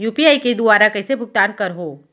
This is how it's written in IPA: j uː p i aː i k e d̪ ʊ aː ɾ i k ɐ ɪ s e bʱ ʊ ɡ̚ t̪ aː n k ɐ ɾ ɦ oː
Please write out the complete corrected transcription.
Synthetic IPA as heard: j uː p i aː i k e d̪ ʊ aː ɾ a k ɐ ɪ s e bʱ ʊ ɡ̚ t̪ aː n k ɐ ɾ ɦ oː